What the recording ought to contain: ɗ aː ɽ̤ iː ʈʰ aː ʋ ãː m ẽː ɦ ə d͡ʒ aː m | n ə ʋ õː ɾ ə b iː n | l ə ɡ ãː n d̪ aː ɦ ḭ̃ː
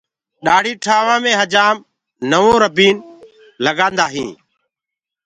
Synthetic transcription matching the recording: ɗ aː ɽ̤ iː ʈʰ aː ʋ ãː m ẽː ɦ ə d͡ʒ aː m | n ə ʋ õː ɾ ə b iː n | l ə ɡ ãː n d̪ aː ɦ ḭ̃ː